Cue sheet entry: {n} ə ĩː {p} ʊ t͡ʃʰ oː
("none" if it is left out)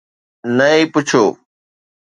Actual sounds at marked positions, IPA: n, p

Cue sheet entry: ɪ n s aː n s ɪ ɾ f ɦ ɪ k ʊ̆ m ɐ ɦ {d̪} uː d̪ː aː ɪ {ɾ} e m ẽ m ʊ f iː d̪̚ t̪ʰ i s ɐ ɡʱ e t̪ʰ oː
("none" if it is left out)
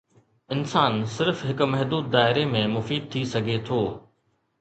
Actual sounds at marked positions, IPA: d̪, ɾ

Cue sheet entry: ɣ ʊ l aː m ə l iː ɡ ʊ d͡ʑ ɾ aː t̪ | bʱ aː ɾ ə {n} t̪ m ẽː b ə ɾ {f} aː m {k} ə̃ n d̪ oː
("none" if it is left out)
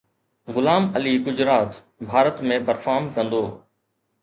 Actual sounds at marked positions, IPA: none, f, k

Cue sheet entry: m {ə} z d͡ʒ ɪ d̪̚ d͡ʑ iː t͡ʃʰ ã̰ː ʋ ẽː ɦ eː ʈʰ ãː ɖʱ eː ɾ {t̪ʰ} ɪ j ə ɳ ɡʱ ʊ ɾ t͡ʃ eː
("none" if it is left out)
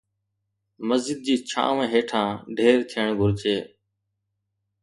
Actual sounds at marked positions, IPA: ə, t̪ʰ

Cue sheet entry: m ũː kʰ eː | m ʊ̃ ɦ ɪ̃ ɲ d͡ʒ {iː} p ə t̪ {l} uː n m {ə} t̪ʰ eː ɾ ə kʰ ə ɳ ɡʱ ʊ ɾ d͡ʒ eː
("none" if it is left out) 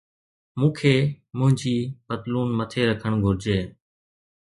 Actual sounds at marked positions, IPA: iː, l, ə

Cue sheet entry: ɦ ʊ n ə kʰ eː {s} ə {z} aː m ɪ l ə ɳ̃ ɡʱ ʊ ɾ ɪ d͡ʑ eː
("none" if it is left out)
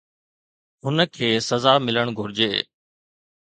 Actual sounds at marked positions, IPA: s, z

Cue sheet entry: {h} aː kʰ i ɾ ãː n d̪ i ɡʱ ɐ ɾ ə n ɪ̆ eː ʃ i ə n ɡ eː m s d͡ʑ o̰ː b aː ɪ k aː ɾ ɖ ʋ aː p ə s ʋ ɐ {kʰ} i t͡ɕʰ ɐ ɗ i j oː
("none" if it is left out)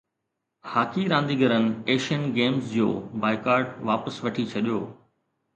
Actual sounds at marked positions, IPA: h, ʈʰ

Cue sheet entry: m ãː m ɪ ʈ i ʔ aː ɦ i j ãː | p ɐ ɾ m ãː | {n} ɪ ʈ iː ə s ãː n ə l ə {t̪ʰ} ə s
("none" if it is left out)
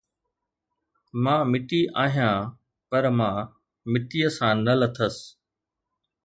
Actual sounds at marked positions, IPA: m, t̪ʰ

